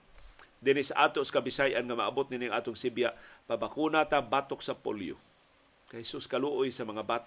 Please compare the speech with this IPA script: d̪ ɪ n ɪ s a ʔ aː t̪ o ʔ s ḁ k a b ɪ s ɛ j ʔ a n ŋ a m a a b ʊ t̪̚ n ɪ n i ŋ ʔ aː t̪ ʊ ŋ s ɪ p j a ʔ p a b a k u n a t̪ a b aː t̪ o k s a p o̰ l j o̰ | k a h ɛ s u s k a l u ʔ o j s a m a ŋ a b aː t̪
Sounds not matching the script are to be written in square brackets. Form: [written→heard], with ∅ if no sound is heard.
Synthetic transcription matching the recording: d̪ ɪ n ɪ s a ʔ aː t̪ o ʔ s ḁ k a b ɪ s [ɛ→a] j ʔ a n ŋ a m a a b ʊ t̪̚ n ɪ n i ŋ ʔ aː t̪ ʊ ŋ s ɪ [p→b] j a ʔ p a b a k u n a t̪ a b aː t̪ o k s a p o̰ l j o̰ | k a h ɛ s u s k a l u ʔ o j s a m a ŋ a b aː t̪